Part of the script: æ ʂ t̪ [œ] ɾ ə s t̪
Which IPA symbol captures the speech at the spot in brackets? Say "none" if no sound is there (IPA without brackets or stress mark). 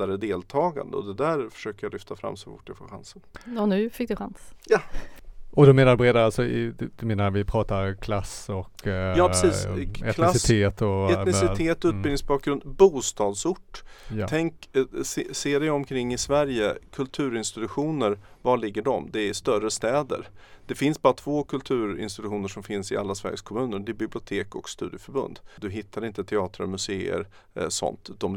œ